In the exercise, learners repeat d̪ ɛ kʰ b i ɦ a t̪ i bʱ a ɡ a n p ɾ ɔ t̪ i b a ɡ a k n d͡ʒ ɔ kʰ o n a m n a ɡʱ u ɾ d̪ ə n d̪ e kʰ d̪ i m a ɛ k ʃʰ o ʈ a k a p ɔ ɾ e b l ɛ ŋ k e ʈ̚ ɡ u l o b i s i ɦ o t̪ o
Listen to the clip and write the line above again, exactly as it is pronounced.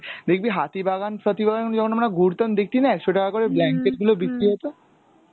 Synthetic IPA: d̪ e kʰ b i ɦ a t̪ i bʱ a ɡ a n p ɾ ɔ t̪ i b a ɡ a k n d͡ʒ ɔ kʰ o n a m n a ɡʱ u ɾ t̪ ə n d̪ e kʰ t̪ i n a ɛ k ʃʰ o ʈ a k a k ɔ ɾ e b l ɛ ŋ k e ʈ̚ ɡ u l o b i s i ɦ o t̪ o